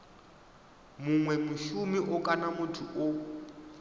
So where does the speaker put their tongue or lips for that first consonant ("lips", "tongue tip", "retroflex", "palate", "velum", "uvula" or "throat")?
lips